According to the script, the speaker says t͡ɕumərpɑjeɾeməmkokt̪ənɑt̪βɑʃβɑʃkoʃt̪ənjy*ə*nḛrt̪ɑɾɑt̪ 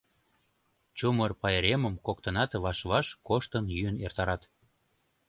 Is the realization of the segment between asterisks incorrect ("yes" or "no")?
no